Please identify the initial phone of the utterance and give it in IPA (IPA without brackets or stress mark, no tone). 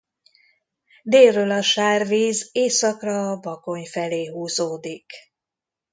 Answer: d̪